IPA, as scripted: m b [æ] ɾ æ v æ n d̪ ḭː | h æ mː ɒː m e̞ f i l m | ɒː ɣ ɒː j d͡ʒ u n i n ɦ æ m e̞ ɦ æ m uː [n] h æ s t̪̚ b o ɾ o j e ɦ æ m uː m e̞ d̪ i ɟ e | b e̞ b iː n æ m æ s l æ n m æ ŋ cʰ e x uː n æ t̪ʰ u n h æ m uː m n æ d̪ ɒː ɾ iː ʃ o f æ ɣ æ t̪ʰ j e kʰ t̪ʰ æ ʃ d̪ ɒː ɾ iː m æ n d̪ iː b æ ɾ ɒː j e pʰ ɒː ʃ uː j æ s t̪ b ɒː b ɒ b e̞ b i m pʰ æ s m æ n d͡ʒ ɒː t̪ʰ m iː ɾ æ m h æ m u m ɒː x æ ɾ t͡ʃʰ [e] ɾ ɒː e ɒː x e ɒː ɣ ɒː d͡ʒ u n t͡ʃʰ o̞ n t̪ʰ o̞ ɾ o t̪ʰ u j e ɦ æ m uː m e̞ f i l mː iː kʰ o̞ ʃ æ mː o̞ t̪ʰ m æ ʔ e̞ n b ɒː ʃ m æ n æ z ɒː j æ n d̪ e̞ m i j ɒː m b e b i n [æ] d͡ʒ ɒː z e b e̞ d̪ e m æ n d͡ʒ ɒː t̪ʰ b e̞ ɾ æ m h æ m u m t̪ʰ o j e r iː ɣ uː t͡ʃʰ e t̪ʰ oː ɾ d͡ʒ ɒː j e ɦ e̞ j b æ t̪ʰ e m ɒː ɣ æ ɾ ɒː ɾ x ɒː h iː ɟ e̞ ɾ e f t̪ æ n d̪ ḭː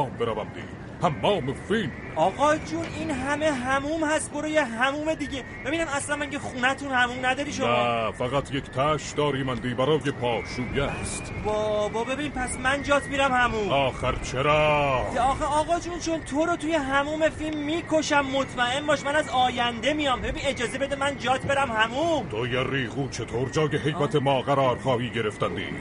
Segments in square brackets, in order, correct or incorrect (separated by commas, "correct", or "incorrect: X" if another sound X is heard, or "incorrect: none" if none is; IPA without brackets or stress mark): incorrect: e, incorrect: m, correct, incorrect: e